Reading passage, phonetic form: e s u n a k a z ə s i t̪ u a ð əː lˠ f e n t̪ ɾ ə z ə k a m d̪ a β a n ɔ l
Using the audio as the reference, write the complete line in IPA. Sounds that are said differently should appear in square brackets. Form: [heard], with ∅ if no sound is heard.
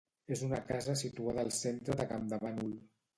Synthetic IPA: e [z] u n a k a z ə s i t̪ u a ð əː lˠ [s] e n t̪ ɾ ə [ð] ə k a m d̪ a β a n [u] l

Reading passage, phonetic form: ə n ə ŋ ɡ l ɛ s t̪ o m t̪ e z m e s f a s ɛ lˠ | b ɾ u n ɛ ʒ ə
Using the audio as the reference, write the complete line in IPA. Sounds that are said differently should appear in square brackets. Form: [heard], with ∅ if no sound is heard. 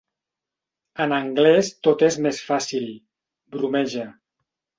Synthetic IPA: ə n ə ŋ ɡ l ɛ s t̪ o [∅] t̪ e z m e s f a s [i] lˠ | b ɾ u [m] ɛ ʒ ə

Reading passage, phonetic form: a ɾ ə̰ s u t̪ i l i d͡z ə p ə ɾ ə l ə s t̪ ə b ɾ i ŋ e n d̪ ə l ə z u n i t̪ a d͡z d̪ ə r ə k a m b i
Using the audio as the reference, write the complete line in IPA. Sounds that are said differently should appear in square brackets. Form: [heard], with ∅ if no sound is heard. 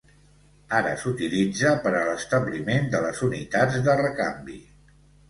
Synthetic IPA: a ɾ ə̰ s u t̪ i l i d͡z ə p ə ɾ ə l ə s t̪ ə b [l] i [m] e n d̪ ə l ə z u n i t̪ a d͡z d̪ ə r ə k a m b i

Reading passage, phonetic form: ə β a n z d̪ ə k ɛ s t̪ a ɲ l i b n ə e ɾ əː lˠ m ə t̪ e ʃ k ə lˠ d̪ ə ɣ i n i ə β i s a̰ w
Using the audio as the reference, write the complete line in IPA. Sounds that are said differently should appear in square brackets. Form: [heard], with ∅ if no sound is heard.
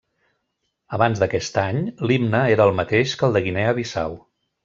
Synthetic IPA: ə β a n z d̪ ə k ɛ s t̪ a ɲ l i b n ə e ɾ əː lˠ m ə t̪ e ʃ k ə lˠ d̪ ə ɣ i n [ɛ] ə β i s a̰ w

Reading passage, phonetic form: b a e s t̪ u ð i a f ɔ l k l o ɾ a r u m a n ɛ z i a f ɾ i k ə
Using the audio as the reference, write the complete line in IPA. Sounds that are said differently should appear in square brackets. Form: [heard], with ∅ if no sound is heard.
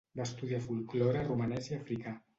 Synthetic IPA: b a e s t̪ u ð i a f [u] l k l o ɾ a r u m a n ɛ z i a f ɾ i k [a]

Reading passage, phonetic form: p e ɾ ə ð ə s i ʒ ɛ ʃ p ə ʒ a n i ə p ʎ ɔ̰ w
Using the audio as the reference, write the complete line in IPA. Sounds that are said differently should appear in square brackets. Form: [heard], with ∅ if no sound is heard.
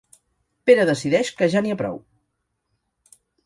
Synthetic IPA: p e ɾ ə ð ə s i [ð] ɛ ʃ [k] ə ʒ a n i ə p [ɾ] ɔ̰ w

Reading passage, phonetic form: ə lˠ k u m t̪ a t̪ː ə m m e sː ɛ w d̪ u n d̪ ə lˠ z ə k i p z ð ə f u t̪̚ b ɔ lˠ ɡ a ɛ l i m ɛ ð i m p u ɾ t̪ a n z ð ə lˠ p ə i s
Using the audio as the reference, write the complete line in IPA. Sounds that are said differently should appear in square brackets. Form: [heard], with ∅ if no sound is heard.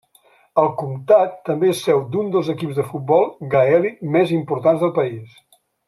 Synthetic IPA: ə lˠ k u m t̪ a t̪ː ə m [b] e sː ɛ w d̪ u n d̪ ə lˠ z ə k i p z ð ə f u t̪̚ b ɔ lˠ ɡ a ɛ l i m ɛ [z] i m p u ɾ t̪ a n z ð ə lˠ p ə i s

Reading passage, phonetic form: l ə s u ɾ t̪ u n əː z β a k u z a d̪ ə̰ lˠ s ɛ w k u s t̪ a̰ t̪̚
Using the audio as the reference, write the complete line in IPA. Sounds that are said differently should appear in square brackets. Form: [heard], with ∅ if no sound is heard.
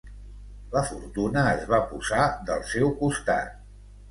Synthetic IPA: l ə [f] u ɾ t̪ u n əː z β a [p] u z a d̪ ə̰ lˠ s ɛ w k u s t̪ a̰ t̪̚

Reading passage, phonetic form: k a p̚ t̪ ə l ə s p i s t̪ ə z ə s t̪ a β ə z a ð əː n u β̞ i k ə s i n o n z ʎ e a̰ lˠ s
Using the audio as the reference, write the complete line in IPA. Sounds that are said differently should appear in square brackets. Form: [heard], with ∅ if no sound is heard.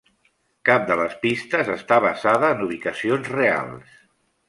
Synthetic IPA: k a p̚ [d̪] ə l ə s p i s t̪ ə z ə s t̪ a β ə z a ð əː n u β̞ i k ə s i [∅] o n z [r] e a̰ lˠ s

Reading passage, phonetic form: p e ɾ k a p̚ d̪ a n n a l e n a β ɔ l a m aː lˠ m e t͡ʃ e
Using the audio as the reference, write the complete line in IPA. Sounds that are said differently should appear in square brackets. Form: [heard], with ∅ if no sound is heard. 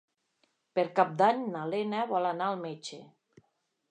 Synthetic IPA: p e ɾ k a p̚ d̪ a [ɲ] n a l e n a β ɔ l a [n] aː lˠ m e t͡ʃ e

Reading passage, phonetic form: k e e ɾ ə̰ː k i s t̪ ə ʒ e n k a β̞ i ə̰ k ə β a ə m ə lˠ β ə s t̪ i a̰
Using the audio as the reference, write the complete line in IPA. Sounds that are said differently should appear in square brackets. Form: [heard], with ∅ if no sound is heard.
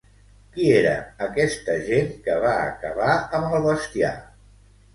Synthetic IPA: k [i] e ɾ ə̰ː k [ɛ] s t̪ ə ʒ e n k [ə] β̞ [a] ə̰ k ə β a ə m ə lˠ β ə s t̪ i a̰

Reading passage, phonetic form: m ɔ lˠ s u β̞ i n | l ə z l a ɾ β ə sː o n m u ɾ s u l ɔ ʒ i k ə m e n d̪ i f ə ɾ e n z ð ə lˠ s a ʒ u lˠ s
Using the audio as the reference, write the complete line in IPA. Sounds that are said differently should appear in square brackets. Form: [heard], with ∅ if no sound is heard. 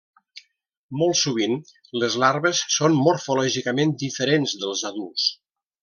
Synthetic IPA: m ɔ lˠ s u β̞ i n | l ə z l a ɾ β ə sː o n m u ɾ [f] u l ɔ ʒ i k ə m e n d̪ i f ə ɾ e n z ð ə lˠ [z] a [ð] u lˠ s

